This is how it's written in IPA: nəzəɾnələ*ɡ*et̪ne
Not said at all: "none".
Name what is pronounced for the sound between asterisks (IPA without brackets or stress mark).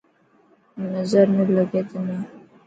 ɡ